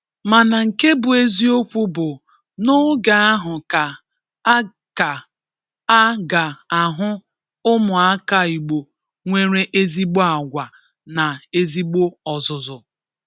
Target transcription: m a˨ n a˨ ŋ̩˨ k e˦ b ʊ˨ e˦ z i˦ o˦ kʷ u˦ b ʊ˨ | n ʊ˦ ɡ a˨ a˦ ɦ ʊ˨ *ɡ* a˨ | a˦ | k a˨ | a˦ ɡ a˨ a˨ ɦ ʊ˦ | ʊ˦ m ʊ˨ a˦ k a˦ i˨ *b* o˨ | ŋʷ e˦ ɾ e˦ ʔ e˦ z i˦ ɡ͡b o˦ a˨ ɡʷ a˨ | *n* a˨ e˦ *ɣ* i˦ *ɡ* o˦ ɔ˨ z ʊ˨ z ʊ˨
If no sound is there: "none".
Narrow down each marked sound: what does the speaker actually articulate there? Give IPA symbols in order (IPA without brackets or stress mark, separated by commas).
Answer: k, ɡ͡b, n, z, ɡ͡b